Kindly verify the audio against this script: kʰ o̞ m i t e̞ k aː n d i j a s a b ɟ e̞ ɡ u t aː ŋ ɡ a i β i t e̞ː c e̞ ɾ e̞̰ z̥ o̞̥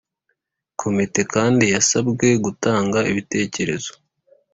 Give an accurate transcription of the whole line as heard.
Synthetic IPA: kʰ o̞ m i t e̞ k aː n d i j a s a b ɡ e̞ ɡ u t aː ŋ ɡ a i β i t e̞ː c e̞ ɾ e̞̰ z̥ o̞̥